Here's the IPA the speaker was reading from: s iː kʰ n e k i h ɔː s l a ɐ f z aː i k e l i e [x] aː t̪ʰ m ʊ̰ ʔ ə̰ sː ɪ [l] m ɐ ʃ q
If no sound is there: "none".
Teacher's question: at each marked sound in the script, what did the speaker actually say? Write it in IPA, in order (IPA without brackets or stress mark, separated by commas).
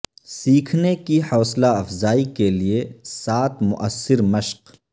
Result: s, ɾ